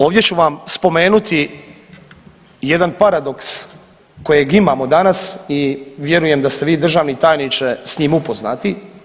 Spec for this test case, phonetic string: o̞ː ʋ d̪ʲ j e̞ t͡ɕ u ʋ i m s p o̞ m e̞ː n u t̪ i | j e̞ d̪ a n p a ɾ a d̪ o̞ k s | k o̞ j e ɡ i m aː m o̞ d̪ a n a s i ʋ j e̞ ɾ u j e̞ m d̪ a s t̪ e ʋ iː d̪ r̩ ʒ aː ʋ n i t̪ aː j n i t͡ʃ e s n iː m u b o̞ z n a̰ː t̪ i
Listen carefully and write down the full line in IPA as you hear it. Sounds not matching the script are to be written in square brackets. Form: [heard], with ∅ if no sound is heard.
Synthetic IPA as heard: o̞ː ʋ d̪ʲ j e̞ t͡ɕ u ʋ [a] m s p o̞ m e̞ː n u t̪ i | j e̞ d̪ a n p a ɾ a d̪ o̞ k s | k o̞ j e ɡ i m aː m o̞ d̪ a n a s i ʋ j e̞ ɾ u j e̞ m d̪ a s t̪ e ʋ iː d̪ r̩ ʒ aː ʋ n i t̪ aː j n i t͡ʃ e s [ɲ] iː m u [p] o̞ z n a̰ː t̪ i